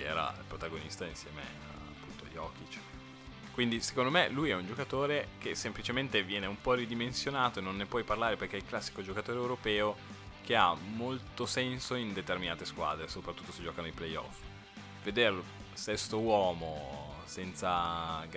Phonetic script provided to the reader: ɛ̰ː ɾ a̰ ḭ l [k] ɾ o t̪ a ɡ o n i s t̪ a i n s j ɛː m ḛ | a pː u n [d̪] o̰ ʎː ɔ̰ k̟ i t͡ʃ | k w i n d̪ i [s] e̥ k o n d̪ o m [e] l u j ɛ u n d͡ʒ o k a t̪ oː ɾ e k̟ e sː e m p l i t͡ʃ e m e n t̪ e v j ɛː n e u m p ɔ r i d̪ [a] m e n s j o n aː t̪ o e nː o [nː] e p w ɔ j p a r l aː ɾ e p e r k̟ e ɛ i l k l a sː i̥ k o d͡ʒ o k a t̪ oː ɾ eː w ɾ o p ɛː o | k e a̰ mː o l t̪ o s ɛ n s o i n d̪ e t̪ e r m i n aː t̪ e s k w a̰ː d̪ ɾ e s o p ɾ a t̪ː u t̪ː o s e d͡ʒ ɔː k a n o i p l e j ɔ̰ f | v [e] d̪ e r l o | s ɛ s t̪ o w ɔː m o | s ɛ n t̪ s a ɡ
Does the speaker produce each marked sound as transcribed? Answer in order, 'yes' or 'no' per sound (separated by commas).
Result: no, no, yes, yes, no, yes, yes